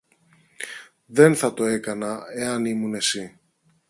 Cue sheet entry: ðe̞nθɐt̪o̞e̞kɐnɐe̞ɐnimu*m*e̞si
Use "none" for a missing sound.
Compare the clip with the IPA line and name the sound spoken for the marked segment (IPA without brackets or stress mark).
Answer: n